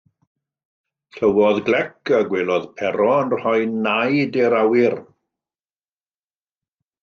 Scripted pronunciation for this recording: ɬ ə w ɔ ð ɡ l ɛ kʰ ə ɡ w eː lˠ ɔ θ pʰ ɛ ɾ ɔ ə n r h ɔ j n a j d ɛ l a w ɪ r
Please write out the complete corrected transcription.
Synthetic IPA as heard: ɬ ə w ɔ ð ɡ l ɛ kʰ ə ɡ w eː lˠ ɔ ð pʰ ɛ ɾ ɔ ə n r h ɔ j n a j d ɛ ɾ a w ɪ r

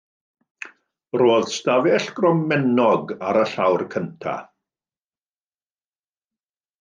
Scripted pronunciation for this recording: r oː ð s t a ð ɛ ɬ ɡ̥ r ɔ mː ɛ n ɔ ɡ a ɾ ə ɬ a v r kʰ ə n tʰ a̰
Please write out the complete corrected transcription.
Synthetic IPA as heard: r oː ð s t a v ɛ ɬ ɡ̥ r ɔ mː ɛ n ɔ ɡ a ɾ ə ɬ a w r kʰ ə n tʰ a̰

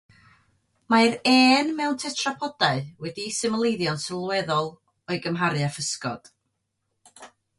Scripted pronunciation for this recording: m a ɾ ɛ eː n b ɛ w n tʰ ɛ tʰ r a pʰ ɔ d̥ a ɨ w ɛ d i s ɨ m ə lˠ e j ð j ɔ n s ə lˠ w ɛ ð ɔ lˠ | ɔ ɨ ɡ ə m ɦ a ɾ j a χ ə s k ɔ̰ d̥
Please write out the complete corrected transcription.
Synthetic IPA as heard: m a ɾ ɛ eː n m ɛ w n tʰ ɛ tʰ r a pʰ ɔ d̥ a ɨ w ɛ d i s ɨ m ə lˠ e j ð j ɔ n s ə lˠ w ɛ ð ɔ lˠ | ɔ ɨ ɡ ə m ɦ a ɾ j a f ə s k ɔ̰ d̥

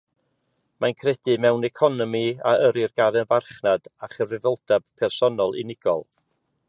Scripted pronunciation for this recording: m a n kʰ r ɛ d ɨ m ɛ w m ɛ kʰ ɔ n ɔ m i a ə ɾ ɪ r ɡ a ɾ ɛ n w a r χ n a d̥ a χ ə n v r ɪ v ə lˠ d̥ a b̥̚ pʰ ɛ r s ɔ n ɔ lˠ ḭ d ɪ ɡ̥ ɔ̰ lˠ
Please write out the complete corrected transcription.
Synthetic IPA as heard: m a n kʰ r ɛ d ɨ m ɛ w n ɛ kʰ ɔ n ɔ m i a ə ɾ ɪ r ɡ a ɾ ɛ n v a r χ n a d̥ a χ ə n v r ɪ v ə lˠ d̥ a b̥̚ pʰ ɛ r s ɔ n ɔ lˠ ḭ n ɪ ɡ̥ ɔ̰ lˠ

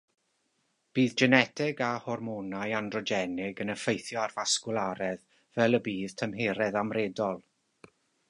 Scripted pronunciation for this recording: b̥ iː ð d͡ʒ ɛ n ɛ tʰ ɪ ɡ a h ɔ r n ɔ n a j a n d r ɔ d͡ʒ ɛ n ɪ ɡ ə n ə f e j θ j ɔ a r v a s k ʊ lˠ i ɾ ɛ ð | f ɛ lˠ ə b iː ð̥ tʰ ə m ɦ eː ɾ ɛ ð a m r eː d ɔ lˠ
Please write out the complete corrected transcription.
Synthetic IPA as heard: b̥ iː ð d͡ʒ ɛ n ɛ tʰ ɪ ɡ a h ɔ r m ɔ n a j a n d r ɔ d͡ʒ ɛ n ɪ ɡ ə n ə f e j θ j ɔ a r v a s k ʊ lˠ a ɾ ɛ ð | v ɛ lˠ ə b iː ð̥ tʰ ə m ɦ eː ɾ ɛ ð a m r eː d ɔ lˠ

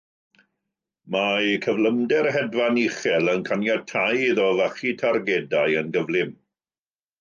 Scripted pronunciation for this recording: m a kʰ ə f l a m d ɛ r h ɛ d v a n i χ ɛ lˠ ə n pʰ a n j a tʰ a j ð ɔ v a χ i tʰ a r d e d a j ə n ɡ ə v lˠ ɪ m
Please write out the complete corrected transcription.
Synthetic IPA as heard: m a kʰ ə v l ə m d ɛ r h ɛ d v a n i χ ɛ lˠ ə n kʰ a n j a tʰ a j ð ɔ v a χ i tʰ a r ɡ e d a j ə n ɡ ə v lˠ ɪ m

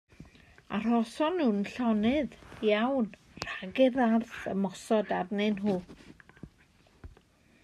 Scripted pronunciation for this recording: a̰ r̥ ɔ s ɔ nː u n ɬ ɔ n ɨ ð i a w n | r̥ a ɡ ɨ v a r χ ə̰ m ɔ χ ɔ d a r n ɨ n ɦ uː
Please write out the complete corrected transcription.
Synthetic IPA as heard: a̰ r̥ ɔ s ɔ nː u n ɬ ɔ n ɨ ð j a w n | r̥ a ɡ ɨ ð a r θ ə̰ m ɔ s ɔ d a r n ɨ n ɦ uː

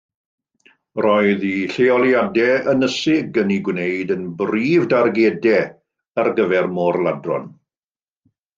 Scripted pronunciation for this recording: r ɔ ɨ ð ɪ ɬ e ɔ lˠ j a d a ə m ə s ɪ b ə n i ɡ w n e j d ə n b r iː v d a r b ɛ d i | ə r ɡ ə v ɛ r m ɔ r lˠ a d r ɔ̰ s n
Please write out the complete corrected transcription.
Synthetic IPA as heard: r ɔ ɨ ð i ɬ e ɔ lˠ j a d ɛ ə n ə s ɪ ɡ ə n i ɡ w n e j d ə n b r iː v d a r ɡ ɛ d ɛ | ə r ɡ ə v ɛ r m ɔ r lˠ a d r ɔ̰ n

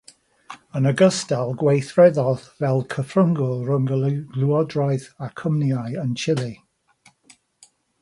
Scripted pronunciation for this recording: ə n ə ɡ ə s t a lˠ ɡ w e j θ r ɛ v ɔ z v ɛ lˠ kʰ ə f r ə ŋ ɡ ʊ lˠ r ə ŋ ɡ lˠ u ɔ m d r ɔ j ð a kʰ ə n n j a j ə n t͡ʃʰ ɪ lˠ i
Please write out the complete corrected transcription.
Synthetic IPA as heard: ə n ə ɡ ə s t a lˠ ɡ w e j θ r ɛ ð ɔ ð v ɛ lˠ kʰ ə f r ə ŋ ɡ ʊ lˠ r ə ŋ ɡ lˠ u ɔ d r ɔ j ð a kʰ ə m n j a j ə n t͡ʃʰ ɪ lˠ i

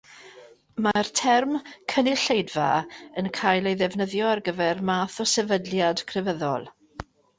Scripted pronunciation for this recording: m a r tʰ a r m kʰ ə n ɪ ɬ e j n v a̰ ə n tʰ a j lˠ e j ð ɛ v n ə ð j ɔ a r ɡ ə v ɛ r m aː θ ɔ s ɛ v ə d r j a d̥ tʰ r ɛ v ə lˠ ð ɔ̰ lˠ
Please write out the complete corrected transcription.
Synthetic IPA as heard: m a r tʰ ɛ r m kʰ ə n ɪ ɬ e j d v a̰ ə n kʰ a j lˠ e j ð ɛ v n ə ð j ɔ a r ɡ ə v ɛ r m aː θ ɔ s ɛ v ə d l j a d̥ kʰ r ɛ v ə ð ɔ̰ lˠ

